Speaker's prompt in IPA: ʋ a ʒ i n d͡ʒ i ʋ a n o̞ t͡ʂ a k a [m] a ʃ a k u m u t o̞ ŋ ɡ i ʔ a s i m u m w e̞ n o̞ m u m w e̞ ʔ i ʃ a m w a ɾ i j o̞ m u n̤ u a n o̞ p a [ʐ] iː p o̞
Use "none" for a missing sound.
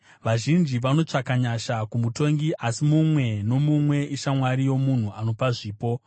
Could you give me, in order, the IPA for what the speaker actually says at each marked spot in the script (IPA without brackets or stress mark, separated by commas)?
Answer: ɲ, ʐ